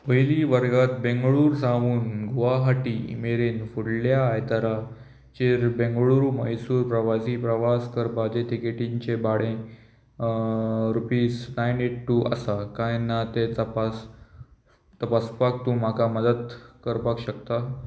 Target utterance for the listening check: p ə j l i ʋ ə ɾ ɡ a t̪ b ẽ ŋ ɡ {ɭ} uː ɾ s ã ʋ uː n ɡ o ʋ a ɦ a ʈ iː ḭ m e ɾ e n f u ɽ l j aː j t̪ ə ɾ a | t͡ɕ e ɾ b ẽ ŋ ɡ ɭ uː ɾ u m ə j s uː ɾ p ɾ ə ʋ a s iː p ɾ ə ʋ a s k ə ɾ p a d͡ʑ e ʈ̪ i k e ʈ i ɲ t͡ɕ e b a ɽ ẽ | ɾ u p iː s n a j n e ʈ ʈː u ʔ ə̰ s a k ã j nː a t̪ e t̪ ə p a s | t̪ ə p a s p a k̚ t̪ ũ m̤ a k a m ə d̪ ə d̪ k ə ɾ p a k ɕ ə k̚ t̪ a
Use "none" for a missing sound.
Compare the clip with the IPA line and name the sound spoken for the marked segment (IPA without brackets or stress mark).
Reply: ɭ